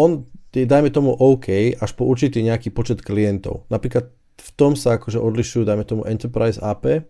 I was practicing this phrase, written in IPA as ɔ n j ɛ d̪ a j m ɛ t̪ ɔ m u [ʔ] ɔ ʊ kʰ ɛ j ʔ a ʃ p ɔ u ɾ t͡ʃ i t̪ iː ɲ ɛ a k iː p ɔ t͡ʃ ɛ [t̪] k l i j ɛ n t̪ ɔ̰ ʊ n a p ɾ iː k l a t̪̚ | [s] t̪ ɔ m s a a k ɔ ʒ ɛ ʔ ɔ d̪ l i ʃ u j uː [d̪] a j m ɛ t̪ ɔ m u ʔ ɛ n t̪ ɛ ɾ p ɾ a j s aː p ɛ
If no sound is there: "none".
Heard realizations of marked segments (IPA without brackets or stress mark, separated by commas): ʔ, t̪, f, d̪